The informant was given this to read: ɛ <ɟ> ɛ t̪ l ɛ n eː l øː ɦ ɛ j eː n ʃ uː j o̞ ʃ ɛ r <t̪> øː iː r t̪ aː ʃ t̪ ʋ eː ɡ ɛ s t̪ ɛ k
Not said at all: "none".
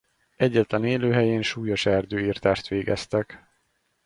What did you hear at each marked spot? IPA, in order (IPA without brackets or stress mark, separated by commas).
ɟː, d̪